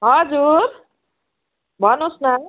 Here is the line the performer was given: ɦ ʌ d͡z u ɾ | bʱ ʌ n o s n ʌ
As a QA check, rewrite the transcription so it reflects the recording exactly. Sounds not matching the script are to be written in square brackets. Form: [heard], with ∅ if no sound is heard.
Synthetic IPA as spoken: ɦ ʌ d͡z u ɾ | bʱ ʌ n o s n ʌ